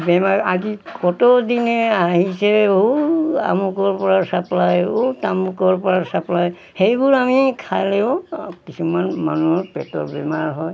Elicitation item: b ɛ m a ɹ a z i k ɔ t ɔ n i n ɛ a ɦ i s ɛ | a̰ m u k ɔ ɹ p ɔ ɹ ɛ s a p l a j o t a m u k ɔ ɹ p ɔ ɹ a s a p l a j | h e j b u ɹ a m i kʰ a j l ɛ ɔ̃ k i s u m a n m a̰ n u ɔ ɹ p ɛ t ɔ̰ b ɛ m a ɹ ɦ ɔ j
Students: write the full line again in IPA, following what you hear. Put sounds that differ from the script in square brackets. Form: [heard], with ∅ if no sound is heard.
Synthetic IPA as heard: b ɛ m a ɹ a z i k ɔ t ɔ [d] i n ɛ a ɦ i s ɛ | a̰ m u k ɔ ɹ p ɔ ɹ [a] s a p l a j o t a m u k ɔ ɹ p ɔ ɹ a s a p l a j | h e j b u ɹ a m i kʰ a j l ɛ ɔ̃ k i s u m a n m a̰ n u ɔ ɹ p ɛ t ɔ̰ b ɛ m a ɹ ɦ ɔ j